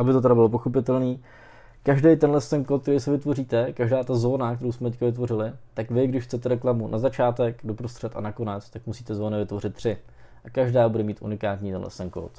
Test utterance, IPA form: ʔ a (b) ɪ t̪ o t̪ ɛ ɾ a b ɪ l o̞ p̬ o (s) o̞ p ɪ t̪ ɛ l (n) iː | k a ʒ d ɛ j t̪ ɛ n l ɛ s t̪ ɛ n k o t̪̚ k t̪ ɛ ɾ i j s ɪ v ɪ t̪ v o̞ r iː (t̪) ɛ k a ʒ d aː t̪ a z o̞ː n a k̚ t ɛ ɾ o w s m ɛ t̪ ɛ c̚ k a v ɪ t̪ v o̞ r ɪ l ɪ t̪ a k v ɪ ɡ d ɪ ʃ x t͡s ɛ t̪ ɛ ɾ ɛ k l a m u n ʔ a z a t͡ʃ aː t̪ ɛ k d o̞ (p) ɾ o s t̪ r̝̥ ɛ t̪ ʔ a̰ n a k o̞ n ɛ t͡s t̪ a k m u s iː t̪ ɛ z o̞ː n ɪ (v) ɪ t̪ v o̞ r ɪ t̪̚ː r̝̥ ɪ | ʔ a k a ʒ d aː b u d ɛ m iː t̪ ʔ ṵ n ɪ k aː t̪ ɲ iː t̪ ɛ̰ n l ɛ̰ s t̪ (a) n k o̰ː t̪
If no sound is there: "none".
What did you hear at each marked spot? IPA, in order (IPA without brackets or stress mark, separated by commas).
b, x, n, t̪, p, v, ɛ